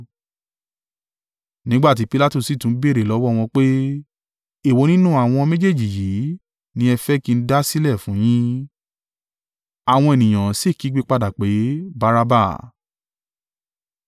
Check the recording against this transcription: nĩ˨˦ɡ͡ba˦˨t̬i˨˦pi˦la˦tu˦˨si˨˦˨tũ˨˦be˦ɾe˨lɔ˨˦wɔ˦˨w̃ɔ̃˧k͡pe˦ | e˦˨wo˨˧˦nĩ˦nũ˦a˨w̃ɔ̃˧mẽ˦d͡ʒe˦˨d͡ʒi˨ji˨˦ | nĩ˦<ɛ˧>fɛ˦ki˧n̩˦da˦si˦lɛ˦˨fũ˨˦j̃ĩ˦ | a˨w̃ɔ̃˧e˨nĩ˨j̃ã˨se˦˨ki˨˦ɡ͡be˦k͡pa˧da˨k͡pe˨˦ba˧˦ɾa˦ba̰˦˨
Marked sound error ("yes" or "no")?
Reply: no